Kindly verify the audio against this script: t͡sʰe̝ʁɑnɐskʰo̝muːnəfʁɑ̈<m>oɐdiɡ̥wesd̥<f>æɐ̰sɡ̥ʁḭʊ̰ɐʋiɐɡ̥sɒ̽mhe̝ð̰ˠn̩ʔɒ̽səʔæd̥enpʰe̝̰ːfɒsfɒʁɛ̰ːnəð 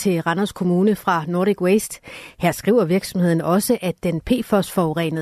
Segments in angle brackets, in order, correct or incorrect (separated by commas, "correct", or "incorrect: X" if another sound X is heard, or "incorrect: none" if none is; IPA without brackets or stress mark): incorrect: n, incorrect: h